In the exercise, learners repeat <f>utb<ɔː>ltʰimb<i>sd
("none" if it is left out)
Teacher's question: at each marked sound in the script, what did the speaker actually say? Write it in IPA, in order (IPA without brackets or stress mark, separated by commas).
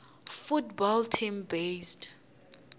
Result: f, ɔ, e